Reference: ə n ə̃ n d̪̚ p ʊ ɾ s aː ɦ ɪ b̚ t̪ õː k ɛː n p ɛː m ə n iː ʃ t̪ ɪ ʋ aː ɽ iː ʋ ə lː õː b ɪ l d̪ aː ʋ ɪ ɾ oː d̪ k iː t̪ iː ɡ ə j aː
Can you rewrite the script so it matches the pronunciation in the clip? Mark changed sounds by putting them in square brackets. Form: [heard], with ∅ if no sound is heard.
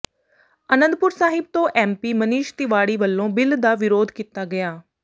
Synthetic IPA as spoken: ə n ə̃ n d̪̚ p ʊ ɾ s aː ɦ ɪ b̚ t̪ õː [ʔ] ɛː [m] p [iː] m ə n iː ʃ t̪ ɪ ʋ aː ɽ iː ʋ ə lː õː b ɪ l d̪ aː ʋ ɪ ɾ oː d̪ k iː t̪ [aː] ɡ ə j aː